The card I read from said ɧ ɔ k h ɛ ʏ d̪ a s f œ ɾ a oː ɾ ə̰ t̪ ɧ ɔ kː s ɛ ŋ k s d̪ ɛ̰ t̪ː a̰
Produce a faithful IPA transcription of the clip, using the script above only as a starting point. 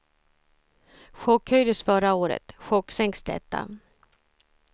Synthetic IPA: ɧ ɔ k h œ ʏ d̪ ə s f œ ɾ a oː ɾ ə̰ t̪ ɧ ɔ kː s ɛ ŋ k s d̪ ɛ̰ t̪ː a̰